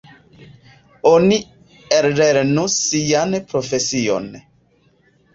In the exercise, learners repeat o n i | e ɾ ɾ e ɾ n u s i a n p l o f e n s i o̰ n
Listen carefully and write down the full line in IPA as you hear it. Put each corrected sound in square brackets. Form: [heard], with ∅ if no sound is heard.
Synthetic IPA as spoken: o n i | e ɾ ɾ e ɾ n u s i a n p [ɾ] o f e [∅] s i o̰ n